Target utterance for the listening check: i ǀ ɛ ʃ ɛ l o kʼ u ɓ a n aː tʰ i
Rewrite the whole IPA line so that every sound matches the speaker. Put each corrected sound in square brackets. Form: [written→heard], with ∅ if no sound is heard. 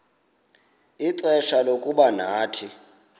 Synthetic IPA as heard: i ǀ ɛ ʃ [ɛ→a] l o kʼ u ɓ a n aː tʰ i